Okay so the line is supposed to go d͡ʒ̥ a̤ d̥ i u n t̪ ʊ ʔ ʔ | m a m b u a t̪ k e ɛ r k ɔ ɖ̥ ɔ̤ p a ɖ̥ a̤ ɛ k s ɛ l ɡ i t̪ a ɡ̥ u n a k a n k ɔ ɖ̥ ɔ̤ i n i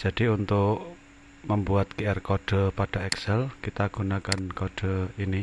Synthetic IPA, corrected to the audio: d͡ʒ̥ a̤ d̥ i u n t̪ ʊ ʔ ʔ | m ə m b u a t̪ k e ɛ r k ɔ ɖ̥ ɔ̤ p a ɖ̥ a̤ ɛ k s ɛ l k i t̪ a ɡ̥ u n a k a n k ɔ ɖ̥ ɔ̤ i n i